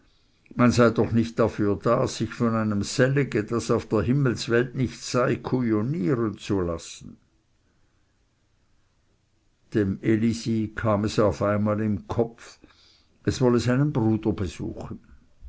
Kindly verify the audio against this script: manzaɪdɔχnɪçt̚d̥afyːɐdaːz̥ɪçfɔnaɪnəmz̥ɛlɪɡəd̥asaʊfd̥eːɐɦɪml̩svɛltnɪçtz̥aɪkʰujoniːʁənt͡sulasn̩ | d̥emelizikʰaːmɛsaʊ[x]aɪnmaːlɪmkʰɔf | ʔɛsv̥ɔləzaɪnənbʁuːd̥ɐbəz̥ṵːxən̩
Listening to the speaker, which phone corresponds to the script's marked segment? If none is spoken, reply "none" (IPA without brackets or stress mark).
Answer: f